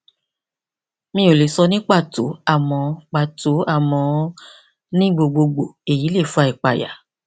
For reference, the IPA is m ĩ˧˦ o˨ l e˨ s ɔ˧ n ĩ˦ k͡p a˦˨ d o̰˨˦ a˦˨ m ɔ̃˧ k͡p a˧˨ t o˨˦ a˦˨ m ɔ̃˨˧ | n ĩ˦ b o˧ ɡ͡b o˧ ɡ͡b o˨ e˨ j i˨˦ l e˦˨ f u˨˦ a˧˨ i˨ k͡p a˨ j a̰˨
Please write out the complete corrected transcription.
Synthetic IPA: m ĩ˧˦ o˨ l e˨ s ɔ˧ n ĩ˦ k͡p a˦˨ t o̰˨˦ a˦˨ m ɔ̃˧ k͡p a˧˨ t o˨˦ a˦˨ m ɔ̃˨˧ | n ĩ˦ ɡ͡b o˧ ɡ͡b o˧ ɡ͡b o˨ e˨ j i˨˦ l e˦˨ f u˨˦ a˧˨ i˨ k͡p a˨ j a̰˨